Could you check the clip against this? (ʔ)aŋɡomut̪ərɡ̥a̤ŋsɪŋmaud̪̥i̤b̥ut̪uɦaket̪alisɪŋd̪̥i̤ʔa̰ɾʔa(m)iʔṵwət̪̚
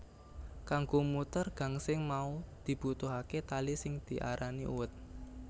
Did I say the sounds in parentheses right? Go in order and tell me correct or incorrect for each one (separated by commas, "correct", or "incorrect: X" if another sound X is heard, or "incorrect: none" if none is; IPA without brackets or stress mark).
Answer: incorrect: k, incorrect: n